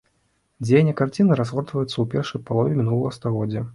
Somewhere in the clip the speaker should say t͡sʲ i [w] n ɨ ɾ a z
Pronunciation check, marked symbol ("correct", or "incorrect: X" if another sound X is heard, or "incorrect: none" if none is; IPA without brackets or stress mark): incorrect: none